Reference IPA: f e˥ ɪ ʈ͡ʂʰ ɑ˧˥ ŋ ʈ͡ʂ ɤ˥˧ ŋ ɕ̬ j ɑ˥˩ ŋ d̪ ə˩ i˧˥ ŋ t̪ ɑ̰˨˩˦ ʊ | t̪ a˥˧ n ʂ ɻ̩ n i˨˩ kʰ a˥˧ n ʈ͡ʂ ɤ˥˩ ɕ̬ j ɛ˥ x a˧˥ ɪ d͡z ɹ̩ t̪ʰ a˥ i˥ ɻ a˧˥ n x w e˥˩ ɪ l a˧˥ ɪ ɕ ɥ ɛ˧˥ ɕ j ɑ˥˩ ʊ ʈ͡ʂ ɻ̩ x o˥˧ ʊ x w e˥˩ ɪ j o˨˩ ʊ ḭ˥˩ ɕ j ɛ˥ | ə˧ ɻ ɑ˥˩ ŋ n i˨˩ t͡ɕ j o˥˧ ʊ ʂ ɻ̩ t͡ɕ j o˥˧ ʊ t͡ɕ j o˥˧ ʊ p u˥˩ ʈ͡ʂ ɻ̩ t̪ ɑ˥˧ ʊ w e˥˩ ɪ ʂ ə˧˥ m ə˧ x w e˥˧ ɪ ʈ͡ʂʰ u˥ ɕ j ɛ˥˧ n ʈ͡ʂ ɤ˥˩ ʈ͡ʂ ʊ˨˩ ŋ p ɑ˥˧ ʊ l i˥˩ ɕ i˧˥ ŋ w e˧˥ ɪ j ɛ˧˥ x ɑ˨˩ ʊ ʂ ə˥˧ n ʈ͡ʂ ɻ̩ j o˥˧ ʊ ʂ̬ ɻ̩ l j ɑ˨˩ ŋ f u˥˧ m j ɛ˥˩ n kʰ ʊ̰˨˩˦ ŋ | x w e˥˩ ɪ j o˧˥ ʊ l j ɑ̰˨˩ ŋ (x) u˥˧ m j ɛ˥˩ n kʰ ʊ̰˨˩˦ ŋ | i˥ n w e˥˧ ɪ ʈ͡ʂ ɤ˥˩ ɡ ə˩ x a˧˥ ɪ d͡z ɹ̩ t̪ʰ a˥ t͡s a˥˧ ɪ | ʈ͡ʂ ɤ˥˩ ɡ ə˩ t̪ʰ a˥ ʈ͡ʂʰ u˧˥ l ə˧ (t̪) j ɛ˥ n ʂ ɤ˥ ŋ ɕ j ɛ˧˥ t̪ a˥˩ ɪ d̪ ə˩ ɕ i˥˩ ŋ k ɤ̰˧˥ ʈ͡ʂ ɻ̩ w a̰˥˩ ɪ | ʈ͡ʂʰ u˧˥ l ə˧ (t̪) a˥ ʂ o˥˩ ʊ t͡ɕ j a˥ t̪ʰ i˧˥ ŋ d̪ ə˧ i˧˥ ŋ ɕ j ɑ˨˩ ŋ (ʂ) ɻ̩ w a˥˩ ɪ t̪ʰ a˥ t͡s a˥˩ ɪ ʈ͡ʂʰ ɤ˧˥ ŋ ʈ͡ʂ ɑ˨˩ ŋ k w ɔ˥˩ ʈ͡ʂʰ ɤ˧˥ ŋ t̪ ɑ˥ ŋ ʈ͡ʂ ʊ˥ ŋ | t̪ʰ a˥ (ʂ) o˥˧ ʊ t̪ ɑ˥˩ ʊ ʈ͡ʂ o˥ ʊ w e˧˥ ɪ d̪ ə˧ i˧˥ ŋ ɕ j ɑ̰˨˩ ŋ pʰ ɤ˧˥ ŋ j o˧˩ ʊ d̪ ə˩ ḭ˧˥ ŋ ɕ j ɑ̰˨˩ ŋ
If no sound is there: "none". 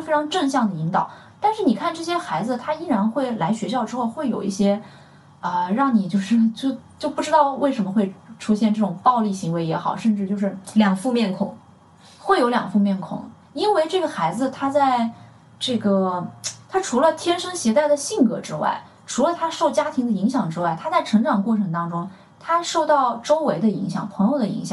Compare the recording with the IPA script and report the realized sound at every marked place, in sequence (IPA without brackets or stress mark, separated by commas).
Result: f, t̪ʰ, t̪ʰ, ʈ͡ʂ, ʂ